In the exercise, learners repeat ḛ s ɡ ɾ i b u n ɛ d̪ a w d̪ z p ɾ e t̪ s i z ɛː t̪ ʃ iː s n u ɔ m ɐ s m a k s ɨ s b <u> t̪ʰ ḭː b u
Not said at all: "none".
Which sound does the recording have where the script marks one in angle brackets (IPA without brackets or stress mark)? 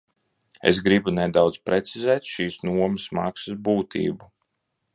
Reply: uː